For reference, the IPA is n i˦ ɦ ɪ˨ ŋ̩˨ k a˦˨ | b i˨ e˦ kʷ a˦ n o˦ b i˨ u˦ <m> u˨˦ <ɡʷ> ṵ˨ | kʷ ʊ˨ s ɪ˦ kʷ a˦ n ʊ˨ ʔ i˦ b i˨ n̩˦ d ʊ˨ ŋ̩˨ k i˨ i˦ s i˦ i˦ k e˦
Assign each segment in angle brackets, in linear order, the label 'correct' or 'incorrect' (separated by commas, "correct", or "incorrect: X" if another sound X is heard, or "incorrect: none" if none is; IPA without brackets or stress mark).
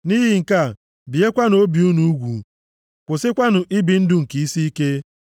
incorrect: n, correct